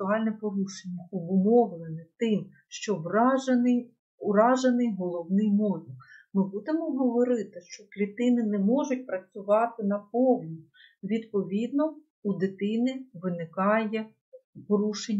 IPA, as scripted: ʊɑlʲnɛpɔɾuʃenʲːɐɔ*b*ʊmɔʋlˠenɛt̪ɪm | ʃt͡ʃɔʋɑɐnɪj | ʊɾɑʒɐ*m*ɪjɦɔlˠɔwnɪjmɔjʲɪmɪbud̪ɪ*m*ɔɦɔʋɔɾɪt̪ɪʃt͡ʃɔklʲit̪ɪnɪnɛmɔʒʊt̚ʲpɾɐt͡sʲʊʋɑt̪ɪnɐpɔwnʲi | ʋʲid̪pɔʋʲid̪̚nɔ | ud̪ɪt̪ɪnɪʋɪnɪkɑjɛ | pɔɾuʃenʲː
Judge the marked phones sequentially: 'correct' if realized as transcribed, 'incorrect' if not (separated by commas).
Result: correct, incorrect, correct